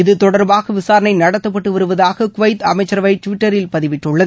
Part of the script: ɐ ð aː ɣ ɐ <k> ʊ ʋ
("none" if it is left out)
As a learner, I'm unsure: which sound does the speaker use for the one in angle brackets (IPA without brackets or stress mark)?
k